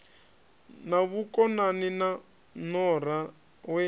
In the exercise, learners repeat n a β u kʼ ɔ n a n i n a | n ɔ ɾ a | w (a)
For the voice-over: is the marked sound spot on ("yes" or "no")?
no